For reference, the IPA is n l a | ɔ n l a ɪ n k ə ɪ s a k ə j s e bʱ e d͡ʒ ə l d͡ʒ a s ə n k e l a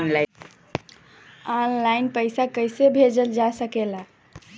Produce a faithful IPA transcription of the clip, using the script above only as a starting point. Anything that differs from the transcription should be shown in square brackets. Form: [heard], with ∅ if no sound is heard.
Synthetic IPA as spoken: n l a | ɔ n l a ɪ n [p] ə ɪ s a k ə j s e bʱ e d͡ʒ ə l d͡ʒ a s ə [∅] k e l a